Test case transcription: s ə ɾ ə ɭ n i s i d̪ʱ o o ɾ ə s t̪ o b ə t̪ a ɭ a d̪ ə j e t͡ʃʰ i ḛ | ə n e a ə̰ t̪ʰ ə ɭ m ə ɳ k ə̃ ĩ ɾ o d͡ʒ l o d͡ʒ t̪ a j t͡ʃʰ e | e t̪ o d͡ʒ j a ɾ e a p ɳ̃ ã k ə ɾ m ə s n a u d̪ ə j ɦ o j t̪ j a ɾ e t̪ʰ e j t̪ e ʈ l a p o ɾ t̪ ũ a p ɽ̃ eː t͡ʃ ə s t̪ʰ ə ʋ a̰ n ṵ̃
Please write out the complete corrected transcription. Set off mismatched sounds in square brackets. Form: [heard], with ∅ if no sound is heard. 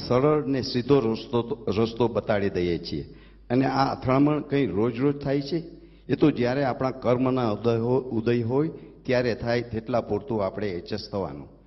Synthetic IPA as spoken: s ə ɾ ə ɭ n [e] s i d̪ʱ o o ɾ ə s t̪ o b ə t̪ a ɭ [i] d̪ ə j e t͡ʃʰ i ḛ | ə n e a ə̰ t̪ʰ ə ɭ m ə ɳ k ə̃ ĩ ɾ o d͡ʒ [ɾ] o d͡ʒ [t̪ʰ] a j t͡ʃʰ e | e t̪ o d͡ʒ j a ɾ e a p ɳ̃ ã k ə ɾ m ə [∅] n a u d̪ ə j ɦ o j t̪ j a ɾ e t̪ʰ [a] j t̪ e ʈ l a p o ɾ t̪ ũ a p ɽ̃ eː t͡ʃ ə s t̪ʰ ə ʋ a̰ n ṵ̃